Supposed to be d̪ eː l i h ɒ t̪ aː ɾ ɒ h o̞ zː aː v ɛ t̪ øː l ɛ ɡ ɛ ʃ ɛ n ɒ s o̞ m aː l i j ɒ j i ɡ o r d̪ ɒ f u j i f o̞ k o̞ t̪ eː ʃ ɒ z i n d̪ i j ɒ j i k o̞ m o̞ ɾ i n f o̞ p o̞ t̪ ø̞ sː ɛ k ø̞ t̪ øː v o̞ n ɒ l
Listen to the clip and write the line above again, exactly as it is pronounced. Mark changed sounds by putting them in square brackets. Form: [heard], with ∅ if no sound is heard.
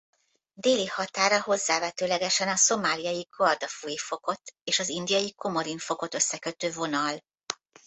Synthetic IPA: d̪ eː l i h ɒ t̪ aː ɾ ɒ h o̞ zː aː v ɛ t̪ øː l ɛ ɡ ɛ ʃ ɛ n ɒ s o̞ m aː l i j ɒ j i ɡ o r d̪ ɒ f u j i f o̞ k o̞ t̪ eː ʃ ɒ z i n d̪ i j ɒ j i k o̞ m o̞ ɾ i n f o̞ [k] o̞ t̪ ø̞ sː ɛ k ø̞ t̪ øː v o̞ n ɒ l